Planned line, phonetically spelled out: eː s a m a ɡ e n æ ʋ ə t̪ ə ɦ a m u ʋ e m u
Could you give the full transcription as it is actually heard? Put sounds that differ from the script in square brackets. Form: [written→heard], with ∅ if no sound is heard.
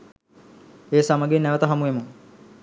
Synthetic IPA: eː s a m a ɡ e n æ ʋ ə t̪ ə ɦ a m u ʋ e m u